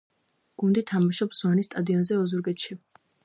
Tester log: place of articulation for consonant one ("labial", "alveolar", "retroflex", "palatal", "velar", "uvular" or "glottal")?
velar